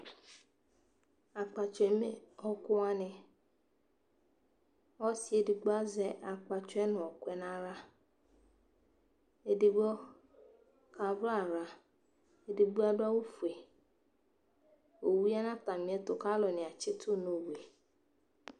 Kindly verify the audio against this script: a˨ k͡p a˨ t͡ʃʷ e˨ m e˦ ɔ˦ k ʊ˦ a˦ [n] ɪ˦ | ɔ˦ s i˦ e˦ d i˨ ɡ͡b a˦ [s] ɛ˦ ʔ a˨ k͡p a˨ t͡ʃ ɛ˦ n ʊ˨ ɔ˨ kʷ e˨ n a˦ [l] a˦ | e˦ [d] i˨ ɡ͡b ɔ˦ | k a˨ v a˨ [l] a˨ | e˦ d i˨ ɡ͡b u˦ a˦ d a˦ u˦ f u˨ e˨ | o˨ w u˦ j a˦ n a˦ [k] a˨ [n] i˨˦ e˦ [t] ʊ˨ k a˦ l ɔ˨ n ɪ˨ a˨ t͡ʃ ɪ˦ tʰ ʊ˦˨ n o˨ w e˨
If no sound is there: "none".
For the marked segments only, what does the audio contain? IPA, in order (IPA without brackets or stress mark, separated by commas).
n, z, ɾ, d, ɾ, t, m, t